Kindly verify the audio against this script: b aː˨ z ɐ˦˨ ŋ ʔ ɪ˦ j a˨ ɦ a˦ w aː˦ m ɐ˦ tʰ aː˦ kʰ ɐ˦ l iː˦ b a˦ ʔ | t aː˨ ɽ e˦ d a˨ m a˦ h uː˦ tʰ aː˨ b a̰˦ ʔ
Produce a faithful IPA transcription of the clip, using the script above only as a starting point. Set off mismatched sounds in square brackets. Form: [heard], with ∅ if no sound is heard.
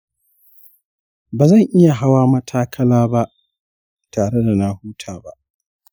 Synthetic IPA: b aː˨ z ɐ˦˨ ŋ ʔ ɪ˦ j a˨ ɦ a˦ w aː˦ m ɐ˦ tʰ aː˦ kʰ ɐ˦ l [aː˦] b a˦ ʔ | t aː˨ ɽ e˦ d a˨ [n] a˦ h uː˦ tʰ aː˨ b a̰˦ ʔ